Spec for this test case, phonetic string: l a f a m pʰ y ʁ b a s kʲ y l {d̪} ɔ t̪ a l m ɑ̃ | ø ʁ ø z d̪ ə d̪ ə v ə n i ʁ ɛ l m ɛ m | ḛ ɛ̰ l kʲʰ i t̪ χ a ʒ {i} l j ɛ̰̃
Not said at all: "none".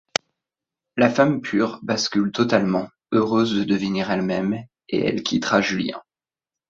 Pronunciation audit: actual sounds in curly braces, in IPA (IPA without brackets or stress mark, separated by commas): t̪, y